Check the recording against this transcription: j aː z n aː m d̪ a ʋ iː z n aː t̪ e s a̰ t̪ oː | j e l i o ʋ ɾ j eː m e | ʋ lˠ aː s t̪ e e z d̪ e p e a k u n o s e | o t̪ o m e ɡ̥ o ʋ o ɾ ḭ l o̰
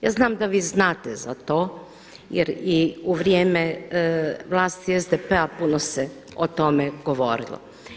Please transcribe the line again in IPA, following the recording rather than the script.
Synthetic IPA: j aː z n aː m d̪ a ʋ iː z n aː t̪ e z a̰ t̪ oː | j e ɾ i u ʋ ɾ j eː m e | ʋ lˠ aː s t̪ i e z d̪ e p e a p u n o s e | o t̪ o m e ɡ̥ o ʋ o ɾ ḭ l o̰